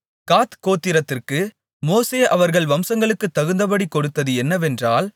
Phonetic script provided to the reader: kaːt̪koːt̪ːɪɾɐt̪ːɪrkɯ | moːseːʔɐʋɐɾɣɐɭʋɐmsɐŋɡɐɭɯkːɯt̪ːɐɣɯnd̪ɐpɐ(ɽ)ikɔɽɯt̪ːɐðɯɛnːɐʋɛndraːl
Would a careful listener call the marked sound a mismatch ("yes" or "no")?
no